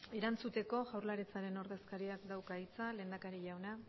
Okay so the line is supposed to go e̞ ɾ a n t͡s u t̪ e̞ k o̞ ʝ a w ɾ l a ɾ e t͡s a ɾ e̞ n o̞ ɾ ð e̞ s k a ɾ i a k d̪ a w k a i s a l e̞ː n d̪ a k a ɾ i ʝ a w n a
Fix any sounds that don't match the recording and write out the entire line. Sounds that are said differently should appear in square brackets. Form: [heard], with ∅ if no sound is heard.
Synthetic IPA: e̞ ɾ a n t͡s u t̪ e̞ k o̞ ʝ a w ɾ l a ɾ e t͡s a ɾ e̞ n o̞ ɾ ð e̞ s k a ɾ i a k d̪ a w k a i [t͡s] a l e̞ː n d̪ a k a ɾ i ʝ a w n a